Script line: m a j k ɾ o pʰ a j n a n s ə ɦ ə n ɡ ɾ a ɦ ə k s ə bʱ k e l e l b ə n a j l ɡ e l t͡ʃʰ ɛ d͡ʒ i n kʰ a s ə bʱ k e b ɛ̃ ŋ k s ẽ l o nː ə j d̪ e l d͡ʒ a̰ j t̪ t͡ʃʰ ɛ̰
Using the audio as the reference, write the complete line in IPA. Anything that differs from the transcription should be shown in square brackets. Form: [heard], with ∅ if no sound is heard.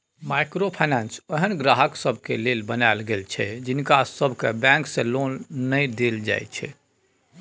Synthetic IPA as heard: m a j k ɾ o pʰ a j n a n s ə ɦ ə n ɡ ɾ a ɦ ə k s ə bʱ k e l e l b ə n a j l ɡ e l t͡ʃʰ ɛ d͡ʒ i n [k] a s ə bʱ k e b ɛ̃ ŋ k s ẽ l o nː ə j d̪ e l d͡ʒ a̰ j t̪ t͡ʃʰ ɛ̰